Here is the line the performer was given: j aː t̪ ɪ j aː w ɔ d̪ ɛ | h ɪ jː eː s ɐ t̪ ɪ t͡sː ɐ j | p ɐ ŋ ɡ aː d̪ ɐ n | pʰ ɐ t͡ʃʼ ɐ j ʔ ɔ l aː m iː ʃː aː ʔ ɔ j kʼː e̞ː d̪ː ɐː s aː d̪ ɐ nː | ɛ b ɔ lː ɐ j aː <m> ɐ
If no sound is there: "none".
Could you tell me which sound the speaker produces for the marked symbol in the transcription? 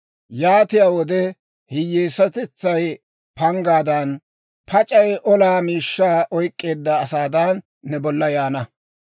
n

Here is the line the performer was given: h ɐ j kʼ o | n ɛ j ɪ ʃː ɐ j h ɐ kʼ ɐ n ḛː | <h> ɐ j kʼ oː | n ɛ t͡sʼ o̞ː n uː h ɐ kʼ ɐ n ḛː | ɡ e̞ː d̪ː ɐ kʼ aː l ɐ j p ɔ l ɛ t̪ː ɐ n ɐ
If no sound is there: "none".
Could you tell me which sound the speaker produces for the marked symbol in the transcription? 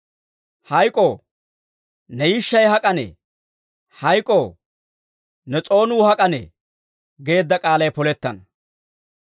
h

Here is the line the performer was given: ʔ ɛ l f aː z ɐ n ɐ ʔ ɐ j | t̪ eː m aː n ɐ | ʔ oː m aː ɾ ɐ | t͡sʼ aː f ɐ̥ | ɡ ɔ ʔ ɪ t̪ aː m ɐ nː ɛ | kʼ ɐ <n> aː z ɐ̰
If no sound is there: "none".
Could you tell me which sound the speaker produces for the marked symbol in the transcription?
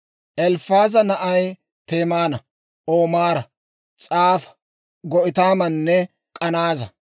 n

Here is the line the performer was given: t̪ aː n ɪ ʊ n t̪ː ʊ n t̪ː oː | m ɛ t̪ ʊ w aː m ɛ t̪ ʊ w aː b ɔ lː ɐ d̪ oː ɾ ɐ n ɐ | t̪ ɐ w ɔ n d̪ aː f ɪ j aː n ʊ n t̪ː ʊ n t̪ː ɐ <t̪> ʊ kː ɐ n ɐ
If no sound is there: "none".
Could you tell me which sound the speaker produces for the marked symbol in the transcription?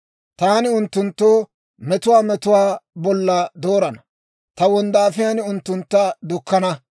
d̪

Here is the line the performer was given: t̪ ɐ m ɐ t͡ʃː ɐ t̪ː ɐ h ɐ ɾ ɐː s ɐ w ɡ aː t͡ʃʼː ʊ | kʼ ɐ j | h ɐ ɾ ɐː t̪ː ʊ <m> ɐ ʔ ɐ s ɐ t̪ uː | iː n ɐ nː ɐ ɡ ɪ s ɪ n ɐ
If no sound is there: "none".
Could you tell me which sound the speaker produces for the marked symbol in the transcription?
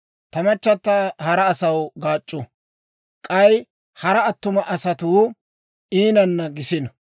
m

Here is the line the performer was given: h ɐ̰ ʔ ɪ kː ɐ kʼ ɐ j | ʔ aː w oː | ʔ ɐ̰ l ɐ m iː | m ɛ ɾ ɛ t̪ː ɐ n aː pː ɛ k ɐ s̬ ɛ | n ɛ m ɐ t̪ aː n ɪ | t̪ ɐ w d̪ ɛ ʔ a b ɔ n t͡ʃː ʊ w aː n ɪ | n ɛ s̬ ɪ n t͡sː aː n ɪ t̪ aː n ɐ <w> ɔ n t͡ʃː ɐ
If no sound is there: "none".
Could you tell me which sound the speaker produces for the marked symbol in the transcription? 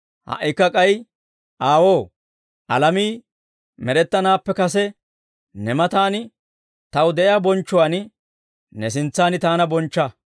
b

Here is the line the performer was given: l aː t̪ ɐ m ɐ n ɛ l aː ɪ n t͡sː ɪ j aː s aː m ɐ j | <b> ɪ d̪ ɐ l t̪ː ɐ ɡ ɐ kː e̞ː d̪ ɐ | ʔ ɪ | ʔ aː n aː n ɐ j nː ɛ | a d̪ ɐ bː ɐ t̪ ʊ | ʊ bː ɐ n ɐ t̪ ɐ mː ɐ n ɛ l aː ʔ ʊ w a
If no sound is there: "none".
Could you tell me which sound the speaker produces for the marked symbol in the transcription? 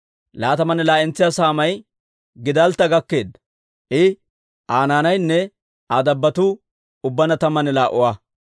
ɡ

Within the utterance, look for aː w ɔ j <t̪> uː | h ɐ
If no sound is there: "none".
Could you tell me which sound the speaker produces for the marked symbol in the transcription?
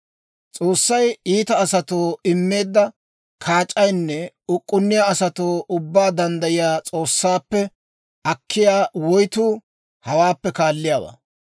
t̪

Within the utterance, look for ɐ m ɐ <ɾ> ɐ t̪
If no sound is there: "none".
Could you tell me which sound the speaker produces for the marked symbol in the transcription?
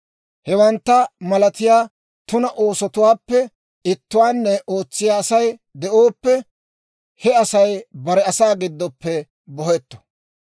l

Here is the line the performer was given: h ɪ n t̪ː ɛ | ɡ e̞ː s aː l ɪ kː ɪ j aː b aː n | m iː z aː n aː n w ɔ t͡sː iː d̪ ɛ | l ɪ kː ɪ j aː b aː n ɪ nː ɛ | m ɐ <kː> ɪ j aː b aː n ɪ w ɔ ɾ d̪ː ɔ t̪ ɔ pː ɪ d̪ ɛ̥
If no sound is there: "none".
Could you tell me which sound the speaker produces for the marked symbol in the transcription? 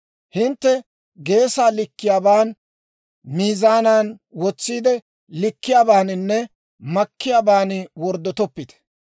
kː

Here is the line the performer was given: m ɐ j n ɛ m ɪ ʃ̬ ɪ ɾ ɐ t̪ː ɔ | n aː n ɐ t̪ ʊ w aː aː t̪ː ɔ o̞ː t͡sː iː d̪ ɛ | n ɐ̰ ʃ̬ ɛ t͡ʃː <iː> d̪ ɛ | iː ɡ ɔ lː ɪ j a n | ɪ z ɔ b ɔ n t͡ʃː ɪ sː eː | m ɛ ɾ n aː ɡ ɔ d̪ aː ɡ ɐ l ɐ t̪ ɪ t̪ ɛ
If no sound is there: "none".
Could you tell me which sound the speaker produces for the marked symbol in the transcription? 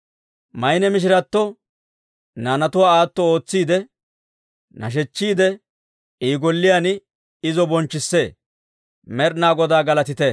iː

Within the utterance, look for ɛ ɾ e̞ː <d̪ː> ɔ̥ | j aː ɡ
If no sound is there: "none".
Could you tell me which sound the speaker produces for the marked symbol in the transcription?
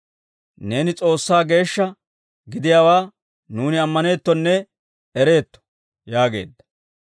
t̪ː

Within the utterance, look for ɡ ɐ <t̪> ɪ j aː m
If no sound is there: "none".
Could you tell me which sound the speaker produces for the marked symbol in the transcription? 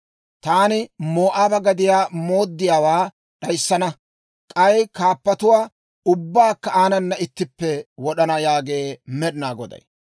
d̪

